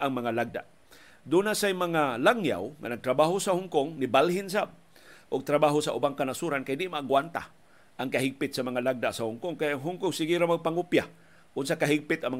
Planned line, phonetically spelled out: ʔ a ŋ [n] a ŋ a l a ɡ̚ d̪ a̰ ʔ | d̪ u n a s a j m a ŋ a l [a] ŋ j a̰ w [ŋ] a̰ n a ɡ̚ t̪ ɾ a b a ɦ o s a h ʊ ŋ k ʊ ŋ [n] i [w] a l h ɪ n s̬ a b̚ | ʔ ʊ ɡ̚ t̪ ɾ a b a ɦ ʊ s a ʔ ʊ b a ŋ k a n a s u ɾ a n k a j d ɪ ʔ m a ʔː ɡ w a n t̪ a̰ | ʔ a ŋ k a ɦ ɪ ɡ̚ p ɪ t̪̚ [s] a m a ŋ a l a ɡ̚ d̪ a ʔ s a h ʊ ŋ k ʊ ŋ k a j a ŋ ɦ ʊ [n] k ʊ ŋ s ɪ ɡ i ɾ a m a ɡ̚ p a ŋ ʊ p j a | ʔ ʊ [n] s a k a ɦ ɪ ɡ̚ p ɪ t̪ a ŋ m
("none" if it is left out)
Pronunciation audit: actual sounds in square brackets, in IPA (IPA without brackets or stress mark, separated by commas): m, a, ŋ, n, b, s, ŋ, n